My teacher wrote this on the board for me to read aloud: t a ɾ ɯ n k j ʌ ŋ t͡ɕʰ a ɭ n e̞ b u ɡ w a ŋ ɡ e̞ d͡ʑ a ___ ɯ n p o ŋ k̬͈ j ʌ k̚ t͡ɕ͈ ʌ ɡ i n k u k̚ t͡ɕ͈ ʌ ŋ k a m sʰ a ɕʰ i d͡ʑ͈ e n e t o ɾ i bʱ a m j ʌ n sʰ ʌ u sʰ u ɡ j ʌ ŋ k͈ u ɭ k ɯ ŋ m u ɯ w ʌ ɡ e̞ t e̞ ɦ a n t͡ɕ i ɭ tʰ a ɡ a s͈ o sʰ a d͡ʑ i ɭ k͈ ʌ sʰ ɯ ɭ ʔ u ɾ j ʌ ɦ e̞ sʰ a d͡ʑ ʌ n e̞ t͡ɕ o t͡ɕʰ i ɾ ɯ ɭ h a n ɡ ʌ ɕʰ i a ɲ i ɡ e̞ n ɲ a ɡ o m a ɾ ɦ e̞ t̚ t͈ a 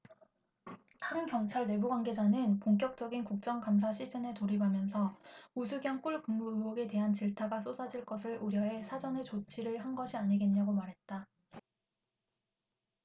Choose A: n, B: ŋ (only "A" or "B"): A